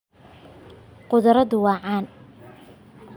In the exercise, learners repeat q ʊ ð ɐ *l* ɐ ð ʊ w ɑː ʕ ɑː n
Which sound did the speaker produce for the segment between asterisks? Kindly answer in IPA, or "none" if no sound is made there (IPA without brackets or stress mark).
ɾ